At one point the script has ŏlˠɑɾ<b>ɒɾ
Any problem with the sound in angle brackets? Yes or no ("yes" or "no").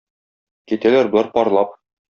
yes